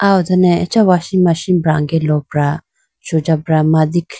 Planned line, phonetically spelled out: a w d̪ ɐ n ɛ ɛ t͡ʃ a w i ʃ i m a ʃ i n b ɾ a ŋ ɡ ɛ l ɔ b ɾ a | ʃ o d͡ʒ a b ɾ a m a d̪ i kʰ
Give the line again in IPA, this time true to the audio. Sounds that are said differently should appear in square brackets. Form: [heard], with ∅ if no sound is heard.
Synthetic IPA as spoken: a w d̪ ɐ n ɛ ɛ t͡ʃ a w [a] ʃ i m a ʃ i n b ɾ a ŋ ɡ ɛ l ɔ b ɾ a | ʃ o d͡ʒ a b ɾ a m a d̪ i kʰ